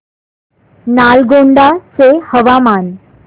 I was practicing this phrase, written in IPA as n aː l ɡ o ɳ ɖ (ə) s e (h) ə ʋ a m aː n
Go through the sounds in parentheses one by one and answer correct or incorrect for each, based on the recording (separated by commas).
incorrect, correct